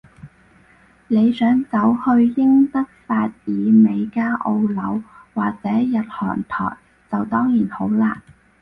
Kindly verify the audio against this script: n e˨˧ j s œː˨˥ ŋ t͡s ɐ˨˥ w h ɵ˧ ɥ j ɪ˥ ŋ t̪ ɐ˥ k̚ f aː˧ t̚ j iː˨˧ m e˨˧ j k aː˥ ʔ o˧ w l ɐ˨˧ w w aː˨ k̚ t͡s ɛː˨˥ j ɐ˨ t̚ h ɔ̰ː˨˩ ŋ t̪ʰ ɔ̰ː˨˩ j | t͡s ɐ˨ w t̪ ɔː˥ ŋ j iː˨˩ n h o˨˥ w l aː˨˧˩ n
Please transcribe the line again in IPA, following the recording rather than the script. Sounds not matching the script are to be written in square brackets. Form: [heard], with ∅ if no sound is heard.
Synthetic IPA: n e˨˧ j s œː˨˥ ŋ t͡s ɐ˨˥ w h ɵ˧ ɥ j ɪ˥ ŋ t̪ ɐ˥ k̚ f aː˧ t̚ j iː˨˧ m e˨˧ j k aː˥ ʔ o˧ w l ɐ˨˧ w w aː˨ k̚ t͡s ɛː˨˥ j ɐ˨ t̚ h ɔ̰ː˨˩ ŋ t̪ʰ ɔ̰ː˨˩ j | t͡s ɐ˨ w t̪ ɔː˥ ŋ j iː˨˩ n h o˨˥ w l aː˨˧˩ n